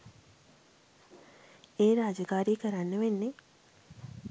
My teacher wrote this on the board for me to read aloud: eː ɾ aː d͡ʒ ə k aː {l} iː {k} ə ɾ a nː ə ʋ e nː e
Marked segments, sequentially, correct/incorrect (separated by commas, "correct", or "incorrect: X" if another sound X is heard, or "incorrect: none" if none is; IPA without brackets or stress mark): incorrect: ɾ, correct